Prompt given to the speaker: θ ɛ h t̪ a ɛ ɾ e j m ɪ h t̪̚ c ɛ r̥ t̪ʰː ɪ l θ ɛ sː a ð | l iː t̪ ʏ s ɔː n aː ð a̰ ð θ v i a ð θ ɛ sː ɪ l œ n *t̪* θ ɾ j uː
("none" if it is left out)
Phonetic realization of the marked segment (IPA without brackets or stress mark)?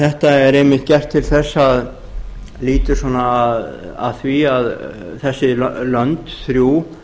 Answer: t̪